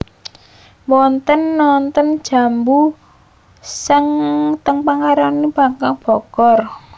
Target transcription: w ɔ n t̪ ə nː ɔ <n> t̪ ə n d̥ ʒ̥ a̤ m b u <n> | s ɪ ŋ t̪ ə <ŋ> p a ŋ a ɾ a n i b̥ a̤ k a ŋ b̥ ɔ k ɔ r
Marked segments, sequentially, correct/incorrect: correct, incorrect: none, correct

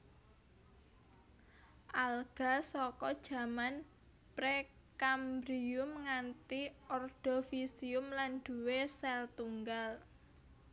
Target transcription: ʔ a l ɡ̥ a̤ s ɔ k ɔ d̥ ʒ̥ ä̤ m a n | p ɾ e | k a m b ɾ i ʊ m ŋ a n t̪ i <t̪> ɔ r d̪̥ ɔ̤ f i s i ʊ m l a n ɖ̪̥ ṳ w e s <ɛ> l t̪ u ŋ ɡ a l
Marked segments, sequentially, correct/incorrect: incorrect: none, correct

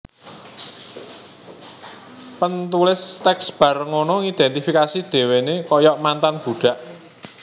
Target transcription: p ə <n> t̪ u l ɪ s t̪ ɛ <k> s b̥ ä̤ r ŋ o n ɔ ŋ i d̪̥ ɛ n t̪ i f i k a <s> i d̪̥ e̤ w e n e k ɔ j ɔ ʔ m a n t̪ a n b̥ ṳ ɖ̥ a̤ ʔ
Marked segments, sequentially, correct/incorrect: correct, correct, correct

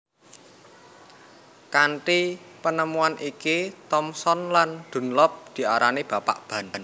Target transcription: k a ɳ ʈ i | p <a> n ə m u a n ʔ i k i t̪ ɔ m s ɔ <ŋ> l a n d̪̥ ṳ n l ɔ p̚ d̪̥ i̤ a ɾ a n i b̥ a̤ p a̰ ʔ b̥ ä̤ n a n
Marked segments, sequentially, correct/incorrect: incorrect: ə, incorrect: n

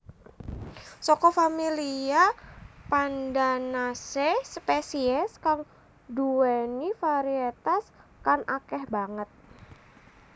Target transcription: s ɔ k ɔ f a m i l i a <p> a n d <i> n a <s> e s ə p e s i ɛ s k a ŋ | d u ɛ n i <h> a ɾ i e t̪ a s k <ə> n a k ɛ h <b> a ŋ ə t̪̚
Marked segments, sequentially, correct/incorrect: correct, incorrect: a, correct, incorrect: f, incorrect: a, correct

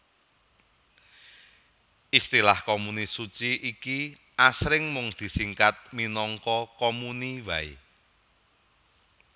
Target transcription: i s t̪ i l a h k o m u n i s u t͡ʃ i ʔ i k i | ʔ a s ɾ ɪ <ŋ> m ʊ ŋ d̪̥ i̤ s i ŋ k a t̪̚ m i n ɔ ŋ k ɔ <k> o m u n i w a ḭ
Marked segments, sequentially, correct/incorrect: correct, correct

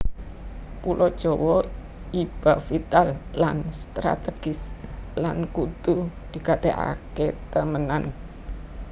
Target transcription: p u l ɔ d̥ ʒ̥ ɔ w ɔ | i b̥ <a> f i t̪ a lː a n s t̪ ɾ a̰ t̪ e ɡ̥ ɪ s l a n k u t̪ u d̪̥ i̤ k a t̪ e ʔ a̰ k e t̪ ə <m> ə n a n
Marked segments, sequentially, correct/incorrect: correct, correct

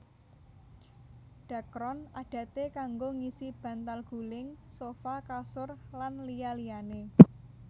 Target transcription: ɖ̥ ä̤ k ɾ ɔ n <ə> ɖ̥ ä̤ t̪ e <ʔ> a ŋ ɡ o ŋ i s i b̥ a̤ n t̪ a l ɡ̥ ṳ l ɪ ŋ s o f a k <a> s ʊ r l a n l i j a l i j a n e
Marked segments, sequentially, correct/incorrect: incorrect: a, incorrect: k, correct

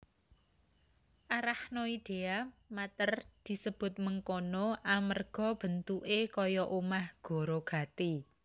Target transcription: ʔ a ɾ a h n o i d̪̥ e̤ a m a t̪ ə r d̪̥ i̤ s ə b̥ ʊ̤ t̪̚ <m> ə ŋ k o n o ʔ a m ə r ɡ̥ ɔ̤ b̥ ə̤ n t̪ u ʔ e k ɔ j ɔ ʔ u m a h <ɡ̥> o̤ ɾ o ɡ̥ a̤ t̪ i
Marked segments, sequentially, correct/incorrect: correct, correct

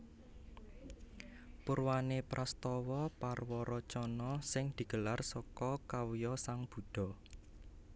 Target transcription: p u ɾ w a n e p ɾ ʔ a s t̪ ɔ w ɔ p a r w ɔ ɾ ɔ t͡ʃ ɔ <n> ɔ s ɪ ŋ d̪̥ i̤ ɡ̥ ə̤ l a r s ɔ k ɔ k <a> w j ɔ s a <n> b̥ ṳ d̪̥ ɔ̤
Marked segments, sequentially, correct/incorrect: correct, correct, incorrect: ŋ

